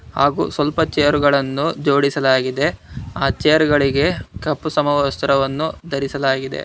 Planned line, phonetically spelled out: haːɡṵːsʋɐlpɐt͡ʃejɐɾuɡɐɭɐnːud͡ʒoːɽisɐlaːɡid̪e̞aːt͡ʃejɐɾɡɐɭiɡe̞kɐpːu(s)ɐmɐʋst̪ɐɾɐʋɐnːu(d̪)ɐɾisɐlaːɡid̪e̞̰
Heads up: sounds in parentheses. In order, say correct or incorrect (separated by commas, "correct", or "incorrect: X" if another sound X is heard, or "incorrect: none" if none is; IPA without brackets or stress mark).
correct, correct